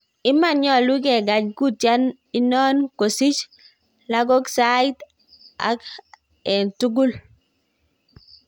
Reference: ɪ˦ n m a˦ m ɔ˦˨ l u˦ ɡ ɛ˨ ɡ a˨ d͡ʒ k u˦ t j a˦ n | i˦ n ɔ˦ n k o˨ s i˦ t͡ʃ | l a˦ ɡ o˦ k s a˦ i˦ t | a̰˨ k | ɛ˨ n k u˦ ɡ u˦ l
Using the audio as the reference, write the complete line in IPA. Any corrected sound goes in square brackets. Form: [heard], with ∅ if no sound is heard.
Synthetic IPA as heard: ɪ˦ [∅] m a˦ [ɲ] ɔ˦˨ l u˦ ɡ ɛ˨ ɡ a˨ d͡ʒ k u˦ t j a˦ n | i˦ n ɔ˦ n k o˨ s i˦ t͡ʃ | l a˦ ɡ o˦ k s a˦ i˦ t | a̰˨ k | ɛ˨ n [t] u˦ ɡ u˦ l